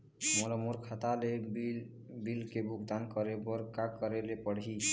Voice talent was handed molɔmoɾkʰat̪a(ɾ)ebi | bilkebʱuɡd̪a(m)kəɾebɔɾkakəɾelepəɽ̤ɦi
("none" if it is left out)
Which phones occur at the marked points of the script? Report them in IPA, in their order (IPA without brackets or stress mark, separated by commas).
l, n